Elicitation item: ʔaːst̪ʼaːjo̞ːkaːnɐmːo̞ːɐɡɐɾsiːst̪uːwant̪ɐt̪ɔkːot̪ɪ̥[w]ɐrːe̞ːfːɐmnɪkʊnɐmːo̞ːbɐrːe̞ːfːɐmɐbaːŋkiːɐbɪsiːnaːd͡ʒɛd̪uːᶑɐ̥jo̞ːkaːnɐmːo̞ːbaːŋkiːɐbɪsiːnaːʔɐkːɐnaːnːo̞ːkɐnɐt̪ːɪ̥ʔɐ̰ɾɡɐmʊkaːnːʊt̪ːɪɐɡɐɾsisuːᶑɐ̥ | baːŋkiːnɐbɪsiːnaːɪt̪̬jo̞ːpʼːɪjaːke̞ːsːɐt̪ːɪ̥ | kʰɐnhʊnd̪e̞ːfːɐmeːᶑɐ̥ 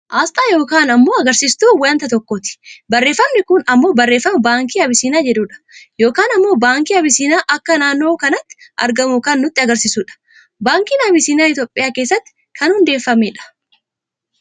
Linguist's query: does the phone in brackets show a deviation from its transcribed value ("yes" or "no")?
yes